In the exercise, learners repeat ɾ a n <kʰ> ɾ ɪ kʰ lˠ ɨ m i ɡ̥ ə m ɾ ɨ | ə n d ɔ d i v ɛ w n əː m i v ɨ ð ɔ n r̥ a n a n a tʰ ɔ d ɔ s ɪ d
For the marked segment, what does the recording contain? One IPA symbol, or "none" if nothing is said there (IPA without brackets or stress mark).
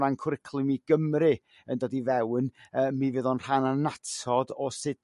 kʰ